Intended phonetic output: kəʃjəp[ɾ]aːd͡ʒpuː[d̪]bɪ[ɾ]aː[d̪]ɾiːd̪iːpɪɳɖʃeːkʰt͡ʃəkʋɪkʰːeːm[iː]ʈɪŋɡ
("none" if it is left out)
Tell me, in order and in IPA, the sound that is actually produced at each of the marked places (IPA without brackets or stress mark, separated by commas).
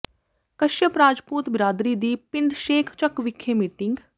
ɾ, t̪, ɾ, d̪, iː